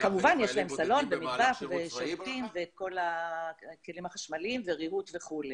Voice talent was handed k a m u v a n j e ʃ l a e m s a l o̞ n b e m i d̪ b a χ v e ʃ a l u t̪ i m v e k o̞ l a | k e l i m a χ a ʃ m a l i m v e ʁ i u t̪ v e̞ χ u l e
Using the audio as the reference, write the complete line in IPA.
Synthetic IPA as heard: k a m u v a n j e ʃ l a e m s a l o̞ n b e m i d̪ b a χ v e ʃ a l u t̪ i m v e k o̞ l a | k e l i m a χ a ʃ m a l i m v e ʁ i u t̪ v e̞ χ u l e